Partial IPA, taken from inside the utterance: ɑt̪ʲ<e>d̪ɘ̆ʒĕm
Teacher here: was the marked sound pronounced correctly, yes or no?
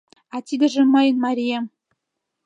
no